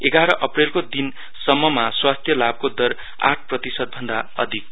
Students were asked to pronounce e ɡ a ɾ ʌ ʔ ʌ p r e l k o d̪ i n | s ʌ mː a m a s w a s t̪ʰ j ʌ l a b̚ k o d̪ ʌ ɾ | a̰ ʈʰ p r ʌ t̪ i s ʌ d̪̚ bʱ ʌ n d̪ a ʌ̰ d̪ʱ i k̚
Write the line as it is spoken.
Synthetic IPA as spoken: e ɡ a ɾ ʌ ʔ ʌ p r e l k o d̪ i n | s ʌ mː ʌ m a s w a s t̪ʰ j ʌ l a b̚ k o d̪ ʌ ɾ | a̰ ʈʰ p r ʌ t̪ i s ʌ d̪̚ bʱ ʌ n d̪ a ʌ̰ d̪ʱ i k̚